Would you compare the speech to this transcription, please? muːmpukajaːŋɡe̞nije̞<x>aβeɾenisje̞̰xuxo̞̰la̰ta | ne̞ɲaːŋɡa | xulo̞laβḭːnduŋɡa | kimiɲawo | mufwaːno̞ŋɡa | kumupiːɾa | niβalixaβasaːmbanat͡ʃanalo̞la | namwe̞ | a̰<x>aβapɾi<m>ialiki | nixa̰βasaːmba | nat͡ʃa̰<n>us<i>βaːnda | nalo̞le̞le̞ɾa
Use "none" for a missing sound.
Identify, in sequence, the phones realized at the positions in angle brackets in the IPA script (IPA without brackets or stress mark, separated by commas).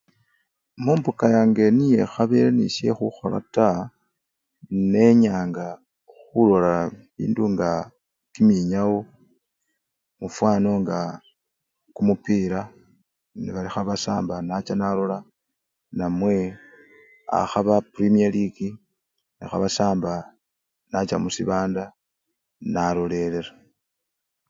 x, x, m, m, i